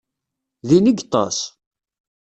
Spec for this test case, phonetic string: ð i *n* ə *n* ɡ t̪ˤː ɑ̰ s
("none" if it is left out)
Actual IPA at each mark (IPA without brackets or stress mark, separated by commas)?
n, none